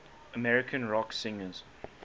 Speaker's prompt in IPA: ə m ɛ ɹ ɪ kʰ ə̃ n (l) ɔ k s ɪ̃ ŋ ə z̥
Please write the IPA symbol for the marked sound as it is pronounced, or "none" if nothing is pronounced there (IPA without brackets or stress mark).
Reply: ɹ